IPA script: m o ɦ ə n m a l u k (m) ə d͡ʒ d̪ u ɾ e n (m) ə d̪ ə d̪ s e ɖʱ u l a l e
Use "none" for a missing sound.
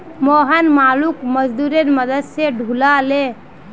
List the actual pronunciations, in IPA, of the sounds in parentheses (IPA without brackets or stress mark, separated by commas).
m, m